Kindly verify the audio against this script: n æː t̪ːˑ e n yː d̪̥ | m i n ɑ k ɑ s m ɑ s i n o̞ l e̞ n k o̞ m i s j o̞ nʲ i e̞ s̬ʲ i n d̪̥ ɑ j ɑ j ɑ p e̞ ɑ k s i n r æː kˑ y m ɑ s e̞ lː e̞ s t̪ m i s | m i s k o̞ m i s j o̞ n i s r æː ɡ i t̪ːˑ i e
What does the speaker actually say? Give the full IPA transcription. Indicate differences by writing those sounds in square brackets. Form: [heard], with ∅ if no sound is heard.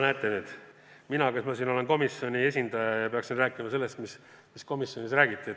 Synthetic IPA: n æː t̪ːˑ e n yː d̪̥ | m i n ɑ k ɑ s m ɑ s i n o̞ l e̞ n k o̞ m i s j o̞ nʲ i e̞ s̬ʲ i n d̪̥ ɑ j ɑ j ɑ p e̞ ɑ k s i n r æː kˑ [i] m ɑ s e̞ lː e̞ s t̪ m i s | m i s k o̞ m i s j o̞ n i s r æː ɡ i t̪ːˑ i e